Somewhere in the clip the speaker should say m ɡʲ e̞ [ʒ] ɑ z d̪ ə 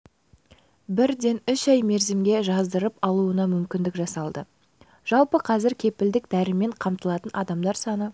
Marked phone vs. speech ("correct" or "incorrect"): correct